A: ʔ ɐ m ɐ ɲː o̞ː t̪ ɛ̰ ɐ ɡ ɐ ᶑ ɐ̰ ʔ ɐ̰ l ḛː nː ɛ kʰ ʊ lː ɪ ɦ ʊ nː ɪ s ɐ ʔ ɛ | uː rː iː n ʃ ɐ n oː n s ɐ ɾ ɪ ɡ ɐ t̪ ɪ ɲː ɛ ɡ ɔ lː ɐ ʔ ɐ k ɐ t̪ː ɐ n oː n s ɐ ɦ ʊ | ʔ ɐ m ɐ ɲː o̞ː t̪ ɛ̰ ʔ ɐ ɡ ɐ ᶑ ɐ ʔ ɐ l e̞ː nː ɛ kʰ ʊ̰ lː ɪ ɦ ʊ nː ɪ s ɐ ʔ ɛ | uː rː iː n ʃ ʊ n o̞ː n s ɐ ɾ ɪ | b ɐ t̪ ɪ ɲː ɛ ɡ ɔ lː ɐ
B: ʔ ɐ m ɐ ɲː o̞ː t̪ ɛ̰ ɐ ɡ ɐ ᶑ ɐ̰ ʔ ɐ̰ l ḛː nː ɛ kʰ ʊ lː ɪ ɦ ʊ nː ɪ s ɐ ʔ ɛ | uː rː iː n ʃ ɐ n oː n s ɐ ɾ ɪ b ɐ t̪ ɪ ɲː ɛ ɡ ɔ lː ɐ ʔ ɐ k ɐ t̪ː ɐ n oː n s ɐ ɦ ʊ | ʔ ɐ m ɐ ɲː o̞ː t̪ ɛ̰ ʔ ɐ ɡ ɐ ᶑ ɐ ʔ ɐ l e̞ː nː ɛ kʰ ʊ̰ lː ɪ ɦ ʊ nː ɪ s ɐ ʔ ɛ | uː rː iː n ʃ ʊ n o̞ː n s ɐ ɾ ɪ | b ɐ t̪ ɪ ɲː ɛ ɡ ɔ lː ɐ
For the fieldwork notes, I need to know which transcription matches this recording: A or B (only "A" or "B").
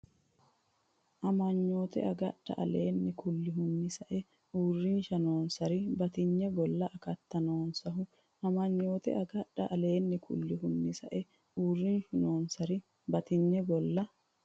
B